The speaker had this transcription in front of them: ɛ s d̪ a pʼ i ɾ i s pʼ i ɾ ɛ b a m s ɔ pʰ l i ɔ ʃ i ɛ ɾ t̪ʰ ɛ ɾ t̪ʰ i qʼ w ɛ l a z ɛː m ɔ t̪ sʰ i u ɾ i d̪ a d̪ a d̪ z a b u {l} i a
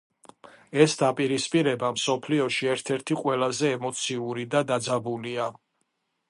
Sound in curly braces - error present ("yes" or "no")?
no